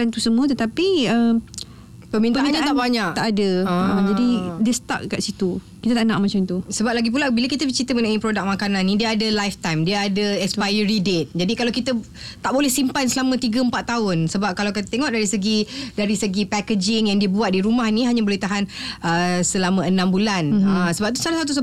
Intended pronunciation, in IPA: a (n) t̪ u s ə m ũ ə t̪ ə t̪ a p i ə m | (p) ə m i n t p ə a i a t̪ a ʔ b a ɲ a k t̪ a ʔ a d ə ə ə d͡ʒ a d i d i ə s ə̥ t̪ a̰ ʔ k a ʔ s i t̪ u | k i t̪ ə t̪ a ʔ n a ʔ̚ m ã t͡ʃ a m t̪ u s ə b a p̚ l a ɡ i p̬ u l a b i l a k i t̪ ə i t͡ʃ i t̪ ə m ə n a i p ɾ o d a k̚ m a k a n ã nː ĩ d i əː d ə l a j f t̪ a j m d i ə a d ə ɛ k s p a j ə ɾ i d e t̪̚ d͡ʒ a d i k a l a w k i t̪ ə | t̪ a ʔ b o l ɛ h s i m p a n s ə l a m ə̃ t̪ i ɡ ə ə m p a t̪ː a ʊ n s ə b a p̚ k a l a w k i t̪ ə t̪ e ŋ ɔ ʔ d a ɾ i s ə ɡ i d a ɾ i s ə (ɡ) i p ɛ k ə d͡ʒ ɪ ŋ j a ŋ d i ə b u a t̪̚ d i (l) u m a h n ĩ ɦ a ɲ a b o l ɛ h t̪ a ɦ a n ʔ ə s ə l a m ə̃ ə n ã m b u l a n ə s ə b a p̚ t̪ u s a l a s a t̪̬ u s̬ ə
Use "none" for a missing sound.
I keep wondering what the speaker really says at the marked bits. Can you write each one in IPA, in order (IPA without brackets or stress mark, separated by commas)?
n, p, ɡ, ɾ